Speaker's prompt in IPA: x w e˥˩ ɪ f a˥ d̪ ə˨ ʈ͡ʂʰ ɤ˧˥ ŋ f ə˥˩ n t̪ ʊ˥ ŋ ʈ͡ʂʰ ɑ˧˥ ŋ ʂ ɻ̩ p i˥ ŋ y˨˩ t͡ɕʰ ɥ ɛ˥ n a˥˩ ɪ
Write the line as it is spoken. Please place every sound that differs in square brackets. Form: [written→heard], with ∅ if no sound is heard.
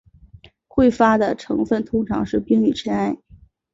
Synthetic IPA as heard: x w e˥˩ ɪ f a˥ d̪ ə˨ ʈ͡ʂʰ ɤ˧˥ ŋ f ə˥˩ n [t̪→t̪ʰ] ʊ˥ ŋ ʈ͡ʂʰ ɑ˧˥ ŋ ʂ ɻ̩ p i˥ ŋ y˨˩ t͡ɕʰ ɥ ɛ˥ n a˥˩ ɪ